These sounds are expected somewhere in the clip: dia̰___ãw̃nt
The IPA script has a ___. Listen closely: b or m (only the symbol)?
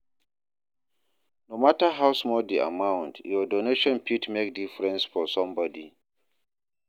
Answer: m